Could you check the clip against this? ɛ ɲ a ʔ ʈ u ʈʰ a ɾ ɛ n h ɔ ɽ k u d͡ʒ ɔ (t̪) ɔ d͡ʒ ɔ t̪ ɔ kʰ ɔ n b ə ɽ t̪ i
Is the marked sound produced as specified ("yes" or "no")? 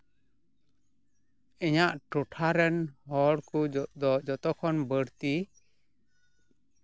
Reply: no